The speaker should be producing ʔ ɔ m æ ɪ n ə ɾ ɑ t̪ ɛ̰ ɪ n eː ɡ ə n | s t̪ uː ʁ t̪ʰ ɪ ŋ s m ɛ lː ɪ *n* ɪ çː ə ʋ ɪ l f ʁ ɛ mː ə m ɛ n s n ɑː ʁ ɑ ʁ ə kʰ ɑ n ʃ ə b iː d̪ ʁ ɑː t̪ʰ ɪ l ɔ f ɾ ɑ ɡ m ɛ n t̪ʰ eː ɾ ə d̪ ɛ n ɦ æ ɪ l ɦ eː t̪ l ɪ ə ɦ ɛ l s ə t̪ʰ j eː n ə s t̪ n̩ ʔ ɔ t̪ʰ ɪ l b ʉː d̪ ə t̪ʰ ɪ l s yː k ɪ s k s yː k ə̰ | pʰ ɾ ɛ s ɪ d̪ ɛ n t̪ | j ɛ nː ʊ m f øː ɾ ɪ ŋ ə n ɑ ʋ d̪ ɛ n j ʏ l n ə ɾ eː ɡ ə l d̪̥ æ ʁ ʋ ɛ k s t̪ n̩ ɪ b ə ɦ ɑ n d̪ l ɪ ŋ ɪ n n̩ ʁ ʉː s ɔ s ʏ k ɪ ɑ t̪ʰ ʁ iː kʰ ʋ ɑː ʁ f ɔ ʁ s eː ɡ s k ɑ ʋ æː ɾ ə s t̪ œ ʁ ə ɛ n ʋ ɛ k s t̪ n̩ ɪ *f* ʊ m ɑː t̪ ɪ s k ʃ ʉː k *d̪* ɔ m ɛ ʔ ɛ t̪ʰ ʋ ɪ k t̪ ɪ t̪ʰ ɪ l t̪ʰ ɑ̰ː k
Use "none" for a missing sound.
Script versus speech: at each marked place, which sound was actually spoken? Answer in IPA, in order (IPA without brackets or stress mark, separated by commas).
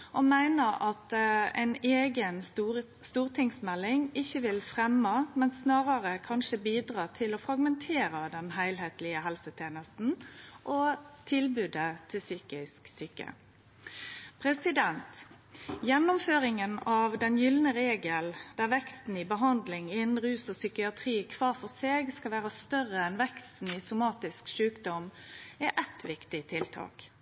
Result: ŋ, s, d̪